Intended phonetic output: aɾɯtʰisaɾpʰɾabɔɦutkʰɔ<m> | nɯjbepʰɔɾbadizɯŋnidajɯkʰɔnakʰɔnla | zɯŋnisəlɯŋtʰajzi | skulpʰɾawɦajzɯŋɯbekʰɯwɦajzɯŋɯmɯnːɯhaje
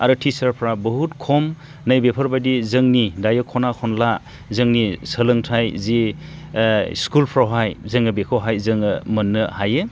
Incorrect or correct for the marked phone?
correct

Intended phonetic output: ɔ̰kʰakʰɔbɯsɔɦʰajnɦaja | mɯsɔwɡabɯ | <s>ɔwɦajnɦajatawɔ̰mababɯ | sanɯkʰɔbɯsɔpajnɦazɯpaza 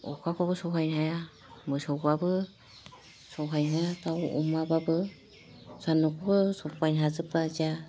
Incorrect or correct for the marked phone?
correct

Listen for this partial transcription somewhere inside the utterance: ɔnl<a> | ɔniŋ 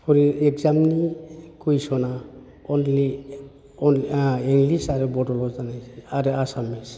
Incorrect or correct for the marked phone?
incorrect: i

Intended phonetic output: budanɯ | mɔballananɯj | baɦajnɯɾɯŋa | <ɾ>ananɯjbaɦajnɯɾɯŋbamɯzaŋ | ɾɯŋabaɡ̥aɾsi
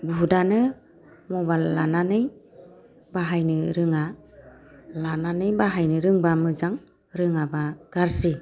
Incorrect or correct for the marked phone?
incorrect: l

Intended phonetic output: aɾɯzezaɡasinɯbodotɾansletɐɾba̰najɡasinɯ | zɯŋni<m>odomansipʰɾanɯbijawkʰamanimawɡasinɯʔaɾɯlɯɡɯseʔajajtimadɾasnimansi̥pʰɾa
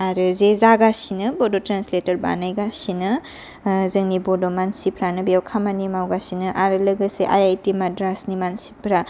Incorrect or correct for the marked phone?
incorrect: b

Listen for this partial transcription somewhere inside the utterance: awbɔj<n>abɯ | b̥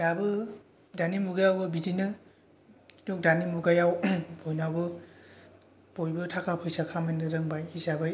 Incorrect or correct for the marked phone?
correct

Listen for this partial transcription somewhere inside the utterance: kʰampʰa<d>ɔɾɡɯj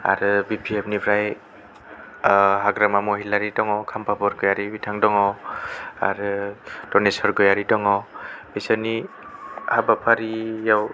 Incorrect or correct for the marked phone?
incorrect: b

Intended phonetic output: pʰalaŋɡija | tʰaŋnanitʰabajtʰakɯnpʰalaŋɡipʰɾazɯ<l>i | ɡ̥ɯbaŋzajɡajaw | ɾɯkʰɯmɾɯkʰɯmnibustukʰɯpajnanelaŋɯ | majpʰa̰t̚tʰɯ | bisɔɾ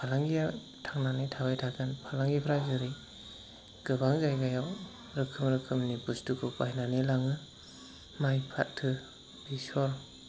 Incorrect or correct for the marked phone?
incorrect: ɾ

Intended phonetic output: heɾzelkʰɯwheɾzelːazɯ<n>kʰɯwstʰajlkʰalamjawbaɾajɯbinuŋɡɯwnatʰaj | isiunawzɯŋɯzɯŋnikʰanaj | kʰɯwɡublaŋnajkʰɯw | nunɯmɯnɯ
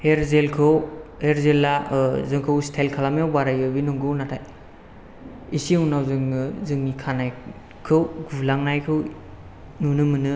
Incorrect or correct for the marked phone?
incorrect: ŋ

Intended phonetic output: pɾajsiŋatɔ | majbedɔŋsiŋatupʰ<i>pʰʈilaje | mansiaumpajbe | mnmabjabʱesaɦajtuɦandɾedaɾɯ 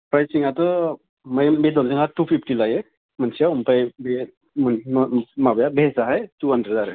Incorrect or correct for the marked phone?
correct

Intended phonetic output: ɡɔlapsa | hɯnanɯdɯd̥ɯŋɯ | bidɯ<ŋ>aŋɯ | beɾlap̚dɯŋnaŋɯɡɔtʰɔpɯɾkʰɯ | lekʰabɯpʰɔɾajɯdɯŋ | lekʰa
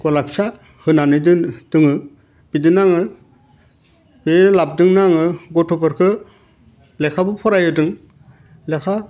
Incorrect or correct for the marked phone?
incorrect: n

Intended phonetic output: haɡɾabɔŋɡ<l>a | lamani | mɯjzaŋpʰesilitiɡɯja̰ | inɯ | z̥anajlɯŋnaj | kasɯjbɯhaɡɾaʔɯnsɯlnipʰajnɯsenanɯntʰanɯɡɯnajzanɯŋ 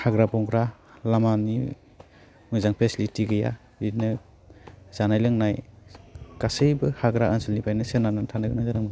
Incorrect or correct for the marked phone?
incorrect: ɾ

